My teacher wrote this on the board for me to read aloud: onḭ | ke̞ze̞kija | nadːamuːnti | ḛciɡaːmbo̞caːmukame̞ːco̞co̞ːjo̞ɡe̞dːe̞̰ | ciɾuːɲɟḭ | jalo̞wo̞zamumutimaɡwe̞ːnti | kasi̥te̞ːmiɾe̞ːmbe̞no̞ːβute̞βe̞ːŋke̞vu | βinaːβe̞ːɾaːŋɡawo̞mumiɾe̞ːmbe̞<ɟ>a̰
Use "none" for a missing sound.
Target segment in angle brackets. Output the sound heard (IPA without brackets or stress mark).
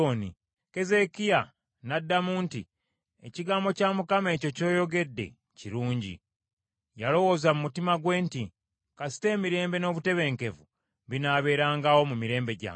ɟ